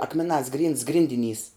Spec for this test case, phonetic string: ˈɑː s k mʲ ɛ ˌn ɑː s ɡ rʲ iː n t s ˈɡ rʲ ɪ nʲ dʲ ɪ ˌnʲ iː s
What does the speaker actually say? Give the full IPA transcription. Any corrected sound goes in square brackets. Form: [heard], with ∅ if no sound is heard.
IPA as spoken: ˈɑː [∅] k mʲ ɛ ˌn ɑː s ɡ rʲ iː n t s ˈɡ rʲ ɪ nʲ dʲ ɪ ˌnʲ iː s